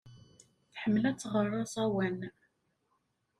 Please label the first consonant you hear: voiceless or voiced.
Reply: voiceless